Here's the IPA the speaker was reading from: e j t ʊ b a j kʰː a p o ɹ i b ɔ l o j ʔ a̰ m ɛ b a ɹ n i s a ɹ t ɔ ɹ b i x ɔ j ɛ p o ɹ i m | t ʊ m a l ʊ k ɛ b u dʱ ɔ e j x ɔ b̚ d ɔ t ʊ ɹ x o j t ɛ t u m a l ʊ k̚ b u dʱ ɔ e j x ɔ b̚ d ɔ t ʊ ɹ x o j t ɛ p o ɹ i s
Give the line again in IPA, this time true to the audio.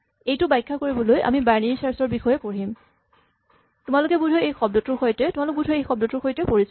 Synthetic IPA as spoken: e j t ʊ b a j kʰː a k o ɹ i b ɔ l o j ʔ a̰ m i b a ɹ n i s a ɹ s ɔ ɹ b i x ɔ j ɛ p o ɹ i m | t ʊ m a l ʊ k ɛ b u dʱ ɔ e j x ɔ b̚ d ɔ t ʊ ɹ x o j t ɛ t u m a l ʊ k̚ b u dʱ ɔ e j x ɔ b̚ d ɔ t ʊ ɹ x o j t ɛ p o ɹ i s